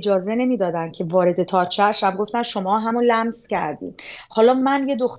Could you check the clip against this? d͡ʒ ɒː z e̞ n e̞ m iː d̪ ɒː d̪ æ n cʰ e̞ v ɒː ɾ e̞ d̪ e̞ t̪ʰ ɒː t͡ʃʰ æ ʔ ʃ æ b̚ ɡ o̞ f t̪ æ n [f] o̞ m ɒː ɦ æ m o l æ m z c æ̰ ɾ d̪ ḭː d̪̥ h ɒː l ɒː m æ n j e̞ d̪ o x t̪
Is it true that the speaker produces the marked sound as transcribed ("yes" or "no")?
no